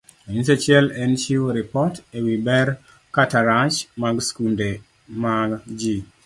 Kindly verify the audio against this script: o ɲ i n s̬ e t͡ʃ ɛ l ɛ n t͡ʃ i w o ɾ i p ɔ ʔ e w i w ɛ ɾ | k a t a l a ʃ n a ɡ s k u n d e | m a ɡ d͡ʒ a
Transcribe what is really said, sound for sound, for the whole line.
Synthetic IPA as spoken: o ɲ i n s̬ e t͡ʃ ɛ l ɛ n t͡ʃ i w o ɾ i p ɔ t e w i b ɛ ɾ | k a t a ɾ a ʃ m a ɡ s k u n d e | m a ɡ d͡ʒ i